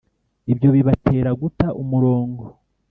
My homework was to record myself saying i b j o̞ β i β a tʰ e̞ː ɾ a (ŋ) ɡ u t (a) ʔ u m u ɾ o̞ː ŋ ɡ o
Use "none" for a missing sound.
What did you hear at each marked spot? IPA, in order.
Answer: none, a

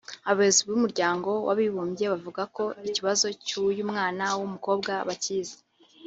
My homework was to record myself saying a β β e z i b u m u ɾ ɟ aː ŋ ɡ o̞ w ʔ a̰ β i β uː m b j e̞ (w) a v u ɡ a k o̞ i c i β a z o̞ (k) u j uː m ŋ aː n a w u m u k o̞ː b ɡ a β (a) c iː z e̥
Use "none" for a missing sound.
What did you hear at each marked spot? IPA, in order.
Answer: β, c, a

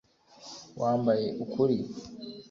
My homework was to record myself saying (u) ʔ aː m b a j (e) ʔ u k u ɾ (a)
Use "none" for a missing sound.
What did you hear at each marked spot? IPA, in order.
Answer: w, e, i

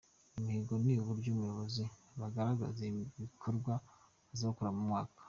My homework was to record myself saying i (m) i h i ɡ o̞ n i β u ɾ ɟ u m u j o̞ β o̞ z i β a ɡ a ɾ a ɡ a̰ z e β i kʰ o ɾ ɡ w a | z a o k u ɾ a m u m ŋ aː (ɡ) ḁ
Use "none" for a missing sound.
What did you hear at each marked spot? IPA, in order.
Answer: m, k

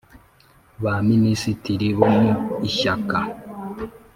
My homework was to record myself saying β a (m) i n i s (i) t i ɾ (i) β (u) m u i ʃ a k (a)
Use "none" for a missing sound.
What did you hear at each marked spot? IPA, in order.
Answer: m, i, i, o, a

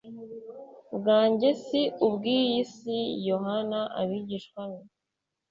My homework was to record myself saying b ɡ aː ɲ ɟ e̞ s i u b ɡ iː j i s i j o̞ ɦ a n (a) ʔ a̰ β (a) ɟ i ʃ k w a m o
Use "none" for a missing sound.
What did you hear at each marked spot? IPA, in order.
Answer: a, i

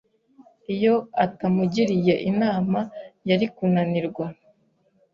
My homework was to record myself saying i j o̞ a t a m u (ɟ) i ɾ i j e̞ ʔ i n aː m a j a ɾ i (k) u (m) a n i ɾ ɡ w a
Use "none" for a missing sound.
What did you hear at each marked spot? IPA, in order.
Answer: ɟ, k, n

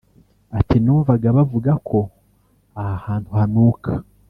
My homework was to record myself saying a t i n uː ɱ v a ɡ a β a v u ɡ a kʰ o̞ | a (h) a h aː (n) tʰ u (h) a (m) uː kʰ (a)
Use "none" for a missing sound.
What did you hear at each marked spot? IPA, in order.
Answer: h, n, h, n, a

